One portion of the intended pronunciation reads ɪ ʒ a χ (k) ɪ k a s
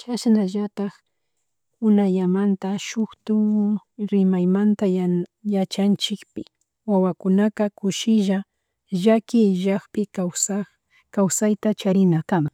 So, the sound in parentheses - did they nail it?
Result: no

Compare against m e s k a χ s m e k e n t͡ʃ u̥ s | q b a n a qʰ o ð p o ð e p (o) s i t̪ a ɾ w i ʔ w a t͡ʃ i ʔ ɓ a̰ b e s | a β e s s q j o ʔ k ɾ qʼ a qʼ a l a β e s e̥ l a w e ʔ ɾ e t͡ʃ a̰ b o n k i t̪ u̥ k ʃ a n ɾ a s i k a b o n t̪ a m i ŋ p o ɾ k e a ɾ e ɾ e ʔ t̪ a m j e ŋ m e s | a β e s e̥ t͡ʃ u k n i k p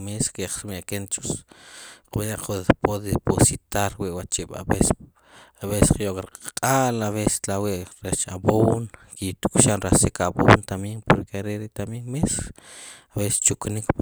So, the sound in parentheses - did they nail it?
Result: yes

